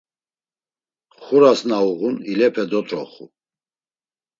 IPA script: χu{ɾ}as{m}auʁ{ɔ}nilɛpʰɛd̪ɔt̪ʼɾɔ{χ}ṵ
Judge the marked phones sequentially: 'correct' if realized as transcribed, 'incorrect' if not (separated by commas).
correct, incorrect, incorrect, correct